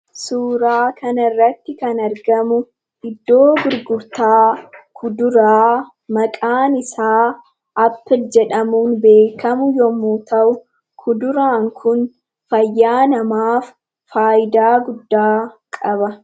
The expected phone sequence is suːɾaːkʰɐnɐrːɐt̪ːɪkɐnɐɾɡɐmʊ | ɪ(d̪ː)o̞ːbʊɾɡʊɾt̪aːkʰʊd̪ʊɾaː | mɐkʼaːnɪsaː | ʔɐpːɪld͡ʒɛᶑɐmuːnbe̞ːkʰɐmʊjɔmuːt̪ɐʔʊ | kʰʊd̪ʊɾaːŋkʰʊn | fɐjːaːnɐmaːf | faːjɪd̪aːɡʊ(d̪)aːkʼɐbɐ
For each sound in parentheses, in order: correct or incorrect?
correct, incorrect

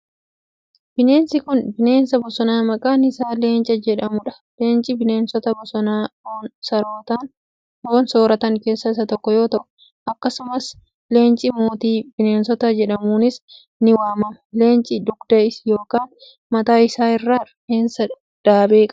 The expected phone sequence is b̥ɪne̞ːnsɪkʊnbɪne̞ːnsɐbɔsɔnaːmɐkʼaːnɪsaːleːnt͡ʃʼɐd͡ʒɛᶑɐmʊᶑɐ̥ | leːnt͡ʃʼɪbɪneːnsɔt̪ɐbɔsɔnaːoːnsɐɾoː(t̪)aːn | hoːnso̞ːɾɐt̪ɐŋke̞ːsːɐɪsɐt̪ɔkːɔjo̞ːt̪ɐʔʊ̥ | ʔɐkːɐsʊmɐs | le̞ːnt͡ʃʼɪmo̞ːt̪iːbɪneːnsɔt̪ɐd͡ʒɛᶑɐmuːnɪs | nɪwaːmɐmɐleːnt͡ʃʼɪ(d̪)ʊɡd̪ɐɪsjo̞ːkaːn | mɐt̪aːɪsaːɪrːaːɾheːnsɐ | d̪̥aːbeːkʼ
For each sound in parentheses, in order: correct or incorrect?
correct, correct

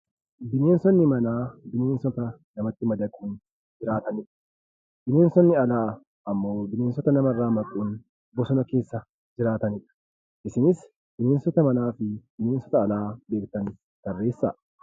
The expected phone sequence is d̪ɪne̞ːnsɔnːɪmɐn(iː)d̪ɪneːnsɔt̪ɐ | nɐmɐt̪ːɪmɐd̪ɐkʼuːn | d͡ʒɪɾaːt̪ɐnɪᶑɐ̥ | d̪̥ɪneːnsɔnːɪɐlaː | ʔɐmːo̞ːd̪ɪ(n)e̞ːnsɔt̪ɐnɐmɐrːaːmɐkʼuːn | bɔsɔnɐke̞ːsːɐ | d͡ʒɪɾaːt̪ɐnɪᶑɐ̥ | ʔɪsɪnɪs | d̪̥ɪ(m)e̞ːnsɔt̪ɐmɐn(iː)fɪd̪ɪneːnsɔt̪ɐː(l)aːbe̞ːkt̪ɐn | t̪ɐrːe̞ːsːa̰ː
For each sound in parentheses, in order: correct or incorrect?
incorrect, correct, incorrect, incorrect, correct

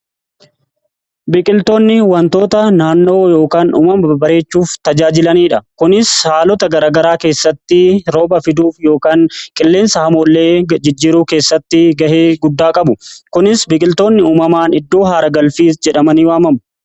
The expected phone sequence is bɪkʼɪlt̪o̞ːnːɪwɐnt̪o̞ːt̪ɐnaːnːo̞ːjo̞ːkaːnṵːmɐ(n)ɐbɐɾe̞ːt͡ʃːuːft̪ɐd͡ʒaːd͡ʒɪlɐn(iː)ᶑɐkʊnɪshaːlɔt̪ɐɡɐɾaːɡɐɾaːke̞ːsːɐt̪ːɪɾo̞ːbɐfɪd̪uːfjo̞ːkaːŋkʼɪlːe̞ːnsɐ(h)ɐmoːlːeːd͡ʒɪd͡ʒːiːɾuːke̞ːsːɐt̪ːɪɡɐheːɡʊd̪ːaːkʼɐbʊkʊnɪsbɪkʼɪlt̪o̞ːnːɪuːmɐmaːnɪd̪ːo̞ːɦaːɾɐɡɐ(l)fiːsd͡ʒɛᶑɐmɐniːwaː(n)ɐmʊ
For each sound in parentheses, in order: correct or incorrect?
incorrect, correct, correct, correct, incorrect

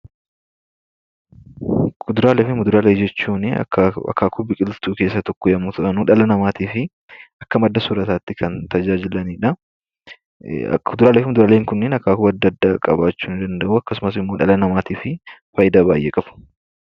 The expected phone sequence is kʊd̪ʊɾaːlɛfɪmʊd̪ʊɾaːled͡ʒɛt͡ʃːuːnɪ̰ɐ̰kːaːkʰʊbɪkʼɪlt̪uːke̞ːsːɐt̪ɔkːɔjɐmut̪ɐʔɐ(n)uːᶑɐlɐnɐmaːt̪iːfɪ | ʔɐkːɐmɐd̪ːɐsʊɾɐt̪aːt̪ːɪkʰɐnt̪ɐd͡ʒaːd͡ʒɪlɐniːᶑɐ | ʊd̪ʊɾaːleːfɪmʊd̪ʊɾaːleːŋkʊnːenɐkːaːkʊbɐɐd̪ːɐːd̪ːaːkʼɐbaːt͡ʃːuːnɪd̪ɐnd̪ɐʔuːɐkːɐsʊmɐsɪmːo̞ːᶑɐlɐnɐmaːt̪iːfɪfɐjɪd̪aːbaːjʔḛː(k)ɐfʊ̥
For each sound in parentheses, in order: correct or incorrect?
correct, incorrect

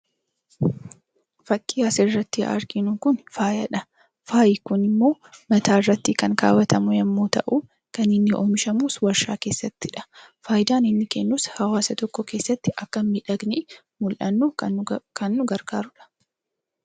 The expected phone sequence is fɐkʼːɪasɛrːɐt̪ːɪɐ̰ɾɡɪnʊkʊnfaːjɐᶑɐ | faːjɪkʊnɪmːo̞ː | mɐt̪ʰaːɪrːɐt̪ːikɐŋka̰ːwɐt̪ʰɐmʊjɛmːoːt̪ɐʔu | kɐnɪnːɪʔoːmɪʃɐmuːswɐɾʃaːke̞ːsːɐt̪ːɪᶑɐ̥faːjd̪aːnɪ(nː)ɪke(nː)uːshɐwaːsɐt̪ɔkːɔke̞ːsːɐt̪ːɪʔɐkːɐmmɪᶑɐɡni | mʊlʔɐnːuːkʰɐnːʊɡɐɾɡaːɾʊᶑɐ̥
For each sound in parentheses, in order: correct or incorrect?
correct, correct

